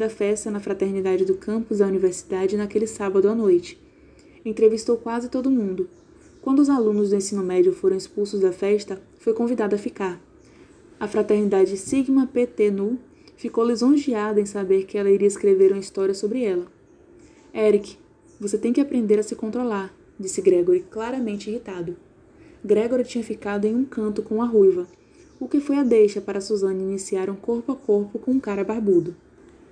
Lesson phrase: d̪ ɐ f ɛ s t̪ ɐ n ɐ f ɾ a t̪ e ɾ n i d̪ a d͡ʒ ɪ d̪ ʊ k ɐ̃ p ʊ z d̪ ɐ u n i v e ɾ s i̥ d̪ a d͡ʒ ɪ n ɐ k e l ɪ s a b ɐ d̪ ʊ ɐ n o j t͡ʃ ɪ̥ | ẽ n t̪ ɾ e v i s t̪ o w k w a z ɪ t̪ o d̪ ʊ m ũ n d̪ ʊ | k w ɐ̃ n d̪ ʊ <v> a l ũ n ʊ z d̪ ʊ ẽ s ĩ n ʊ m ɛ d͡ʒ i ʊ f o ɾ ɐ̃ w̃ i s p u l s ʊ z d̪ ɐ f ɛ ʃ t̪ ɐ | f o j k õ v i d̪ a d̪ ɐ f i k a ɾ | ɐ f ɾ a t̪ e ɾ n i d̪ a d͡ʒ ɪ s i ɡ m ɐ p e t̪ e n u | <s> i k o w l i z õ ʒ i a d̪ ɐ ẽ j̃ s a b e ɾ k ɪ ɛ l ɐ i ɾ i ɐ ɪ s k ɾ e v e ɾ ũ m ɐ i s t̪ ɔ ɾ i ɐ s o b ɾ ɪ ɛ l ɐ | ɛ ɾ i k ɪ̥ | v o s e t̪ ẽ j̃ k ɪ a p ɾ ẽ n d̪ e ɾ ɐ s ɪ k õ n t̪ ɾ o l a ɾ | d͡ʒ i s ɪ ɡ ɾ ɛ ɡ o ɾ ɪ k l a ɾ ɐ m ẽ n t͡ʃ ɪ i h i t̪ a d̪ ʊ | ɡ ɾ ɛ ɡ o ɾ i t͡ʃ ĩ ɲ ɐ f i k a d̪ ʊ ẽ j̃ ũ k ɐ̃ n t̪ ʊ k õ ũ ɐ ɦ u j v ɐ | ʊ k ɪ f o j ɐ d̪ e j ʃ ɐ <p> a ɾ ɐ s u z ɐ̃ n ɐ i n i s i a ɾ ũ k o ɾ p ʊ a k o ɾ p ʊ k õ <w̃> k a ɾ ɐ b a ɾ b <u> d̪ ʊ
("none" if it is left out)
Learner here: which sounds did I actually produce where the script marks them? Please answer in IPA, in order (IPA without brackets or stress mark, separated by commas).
z, f, p, ũ, u